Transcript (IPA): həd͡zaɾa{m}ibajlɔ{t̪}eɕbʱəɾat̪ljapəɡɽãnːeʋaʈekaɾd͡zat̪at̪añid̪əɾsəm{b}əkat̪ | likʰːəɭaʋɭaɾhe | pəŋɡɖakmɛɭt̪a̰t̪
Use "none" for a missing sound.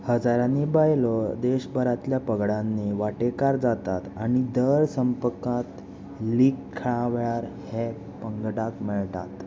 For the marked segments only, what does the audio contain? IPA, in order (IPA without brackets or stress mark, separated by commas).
n, d̪, p